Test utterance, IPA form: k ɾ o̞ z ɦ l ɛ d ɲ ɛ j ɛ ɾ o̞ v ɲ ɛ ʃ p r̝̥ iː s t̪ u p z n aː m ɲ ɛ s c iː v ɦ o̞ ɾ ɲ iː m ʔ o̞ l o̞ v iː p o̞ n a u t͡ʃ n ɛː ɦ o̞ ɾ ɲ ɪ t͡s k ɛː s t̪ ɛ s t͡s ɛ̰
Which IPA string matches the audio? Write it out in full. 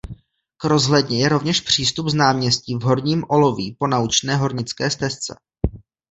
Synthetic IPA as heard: k ɾ o̞ z ɦ l ɛ d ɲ ɛ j ɛ ɾ o̞ v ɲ ɛ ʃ p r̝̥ iː s t̪ u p z n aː m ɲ ɛ s c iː v ɦ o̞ ɾ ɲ iː m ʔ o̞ l o̞ v iː p o̞ n a u t͡ʃ n ɛː ɦ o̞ ɾ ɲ ɪ t͡s k ɛː s t̪ ɛ s t͡s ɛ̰